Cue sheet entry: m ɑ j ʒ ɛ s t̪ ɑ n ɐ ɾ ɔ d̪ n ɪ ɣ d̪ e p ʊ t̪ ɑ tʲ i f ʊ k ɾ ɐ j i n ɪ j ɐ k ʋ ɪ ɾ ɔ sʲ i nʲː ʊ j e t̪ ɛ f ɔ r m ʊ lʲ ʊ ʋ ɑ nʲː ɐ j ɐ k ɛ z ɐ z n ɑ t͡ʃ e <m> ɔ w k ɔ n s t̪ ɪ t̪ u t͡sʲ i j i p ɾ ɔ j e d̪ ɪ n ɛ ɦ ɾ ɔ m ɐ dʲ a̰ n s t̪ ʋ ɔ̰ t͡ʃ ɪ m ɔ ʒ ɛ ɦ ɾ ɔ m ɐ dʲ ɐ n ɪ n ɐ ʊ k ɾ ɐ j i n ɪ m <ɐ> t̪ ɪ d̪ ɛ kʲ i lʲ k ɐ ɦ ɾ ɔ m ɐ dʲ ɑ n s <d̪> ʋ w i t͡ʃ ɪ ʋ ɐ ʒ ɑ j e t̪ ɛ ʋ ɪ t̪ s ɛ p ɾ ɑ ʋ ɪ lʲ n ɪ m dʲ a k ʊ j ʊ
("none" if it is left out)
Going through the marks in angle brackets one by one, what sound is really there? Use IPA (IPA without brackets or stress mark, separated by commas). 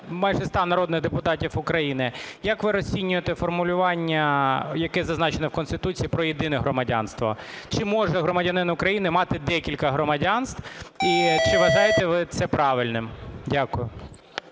n, ɑ, t̪